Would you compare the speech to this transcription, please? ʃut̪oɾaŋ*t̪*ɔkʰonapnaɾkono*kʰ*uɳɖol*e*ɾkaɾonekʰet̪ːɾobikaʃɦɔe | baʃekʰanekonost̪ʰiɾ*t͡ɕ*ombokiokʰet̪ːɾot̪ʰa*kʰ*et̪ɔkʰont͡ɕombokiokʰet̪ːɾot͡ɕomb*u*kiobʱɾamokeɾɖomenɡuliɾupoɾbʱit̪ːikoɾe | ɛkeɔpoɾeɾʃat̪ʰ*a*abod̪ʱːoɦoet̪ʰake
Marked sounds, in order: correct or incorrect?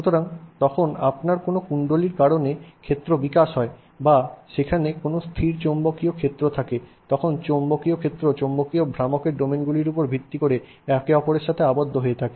correct, incorrect: k, incorrect: i, correct, incorrect: k, incorrect: o, incorrect: e

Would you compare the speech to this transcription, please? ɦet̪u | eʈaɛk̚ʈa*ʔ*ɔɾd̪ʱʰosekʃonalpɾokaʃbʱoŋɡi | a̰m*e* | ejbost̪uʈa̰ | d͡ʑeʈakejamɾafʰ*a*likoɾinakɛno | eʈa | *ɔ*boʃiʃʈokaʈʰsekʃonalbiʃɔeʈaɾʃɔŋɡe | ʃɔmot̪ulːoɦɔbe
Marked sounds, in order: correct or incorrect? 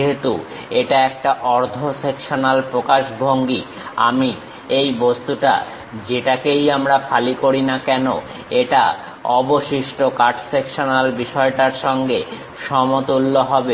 correct, incorrect: i, correct, correct

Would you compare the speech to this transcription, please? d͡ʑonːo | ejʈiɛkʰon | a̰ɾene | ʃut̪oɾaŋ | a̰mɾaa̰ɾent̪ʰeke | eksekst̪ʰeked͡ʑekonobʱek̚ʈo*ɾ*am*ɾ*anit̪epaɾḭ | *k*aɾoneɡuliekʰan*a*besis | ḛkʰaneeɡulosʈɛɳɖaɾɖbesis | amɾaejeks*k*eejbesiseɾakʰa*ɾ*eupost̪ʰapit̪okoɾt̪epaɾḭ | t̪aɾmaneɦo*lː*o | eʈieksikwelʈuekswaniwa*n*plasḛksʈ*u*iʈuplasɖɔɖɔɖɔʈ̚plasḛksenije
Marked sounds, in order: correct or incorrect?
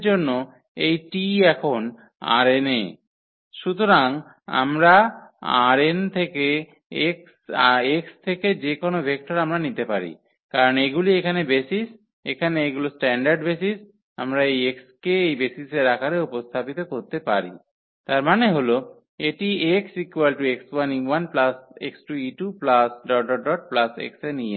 correct, correct, correct, incorrect: e, correct, correct, incorrect: l, correct, correct

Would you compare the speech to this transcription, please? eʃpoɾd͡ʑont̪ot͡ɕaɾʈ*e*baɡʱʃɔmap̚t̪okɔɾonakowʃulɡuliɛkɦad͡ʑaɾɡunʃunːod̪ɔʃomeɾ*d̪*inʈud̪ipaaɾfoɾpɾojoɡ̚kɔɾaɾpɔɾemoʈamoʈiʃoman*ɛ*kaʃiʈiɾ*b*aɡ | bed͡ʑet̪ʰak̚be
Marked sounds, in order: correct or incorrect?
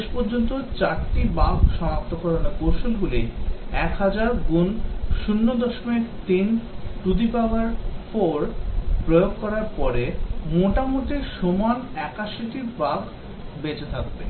incorrect: i, incorrect: t̪, correct, correct

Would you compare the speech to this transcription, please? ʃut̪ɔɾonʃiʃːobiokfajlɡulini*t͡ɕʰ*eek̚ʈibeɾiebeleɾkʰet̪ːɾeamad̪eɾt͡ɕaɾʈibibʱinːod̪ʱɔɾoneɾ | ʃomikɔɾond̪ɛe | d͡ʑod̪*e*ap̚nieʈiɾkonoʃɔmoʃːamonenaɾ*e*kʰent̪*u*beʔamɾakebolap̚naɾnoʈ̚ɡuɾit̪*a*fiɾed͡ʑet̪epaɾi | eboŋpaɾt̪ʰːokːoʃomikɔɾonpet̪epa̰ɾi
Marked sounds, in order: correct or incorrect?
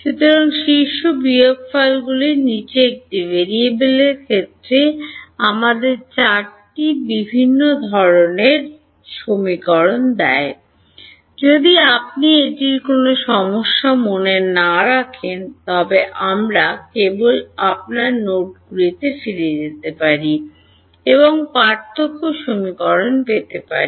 incorrect: t͡ɕ, incorrect: i, incorrect: a, incorrect: ɔ, incorrect: e

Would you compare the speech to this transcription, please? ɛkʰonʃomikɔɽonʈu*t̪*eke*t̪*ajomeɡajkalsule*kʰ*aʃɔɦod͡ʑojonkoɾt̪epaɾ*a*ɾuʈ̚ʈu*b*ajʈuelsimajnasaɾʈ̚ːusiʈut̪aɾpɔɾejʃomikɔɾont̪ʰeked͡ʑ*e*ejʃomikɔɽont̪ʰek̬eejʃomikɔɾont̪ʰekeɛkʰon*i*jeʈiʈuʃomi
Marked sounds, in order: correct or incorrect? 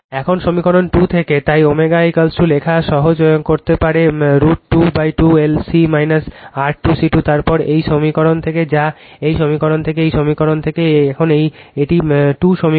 incorrect: t̪ʰ, correct, correct, incorrect: e, correct, incorrect: a, incorrect: e

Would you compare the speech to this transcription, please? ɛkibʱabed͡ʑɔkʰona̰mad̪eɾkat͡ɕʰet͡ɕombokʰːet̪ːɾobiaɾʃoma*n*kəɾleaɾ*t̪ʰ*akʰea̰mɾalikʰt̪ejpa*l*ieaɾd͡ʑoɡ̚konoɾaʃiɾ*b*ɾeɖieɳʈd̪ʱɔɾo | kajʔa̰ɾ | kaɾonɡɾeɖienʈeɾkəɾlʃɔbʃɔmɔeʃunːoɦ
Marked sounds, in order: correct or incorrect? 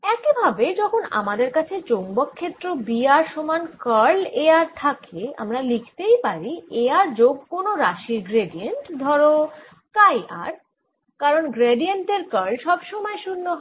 correct, correct, incorrect: ɾ, incorrect: ɡ

